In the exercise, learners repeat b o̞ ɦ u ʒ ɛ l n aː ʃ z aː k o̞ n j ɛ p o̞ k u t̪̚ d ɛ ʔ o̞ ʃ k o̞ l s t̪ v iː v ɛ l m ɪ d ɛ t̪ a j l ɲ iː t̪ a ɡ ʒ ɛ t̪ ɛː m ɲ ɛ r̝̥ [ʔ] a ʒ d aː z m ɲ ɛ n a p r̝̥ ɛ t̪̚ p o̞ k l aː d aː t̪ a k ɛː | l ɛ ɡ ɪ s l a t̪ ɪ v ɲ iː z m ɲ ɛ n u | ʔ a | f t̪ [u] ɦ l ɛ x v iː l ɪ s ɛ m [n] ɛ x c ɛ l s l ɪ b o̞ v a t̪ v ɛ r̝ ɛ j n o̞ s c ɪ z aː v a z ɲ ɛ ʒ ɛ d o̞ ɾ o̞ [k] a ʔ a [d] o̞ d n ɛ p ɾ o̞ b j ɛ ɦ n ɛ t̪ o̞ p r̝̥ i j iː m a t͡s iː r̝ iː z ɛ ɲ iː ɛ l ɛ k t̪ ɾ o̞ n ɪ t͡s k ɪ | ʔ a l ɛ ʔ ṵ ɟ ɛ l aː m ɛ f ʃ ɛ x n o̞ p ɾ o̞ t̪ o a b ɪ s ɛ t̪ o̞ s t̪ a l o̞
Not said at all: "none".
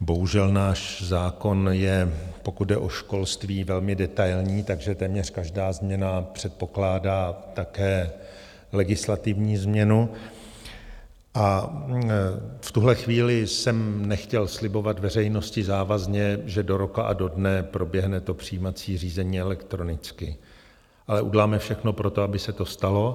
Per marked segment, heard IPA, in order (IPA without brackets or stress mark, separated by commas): k, u, n, k, d